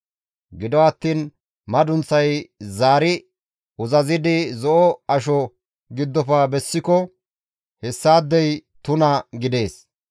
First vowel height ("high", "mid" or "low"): high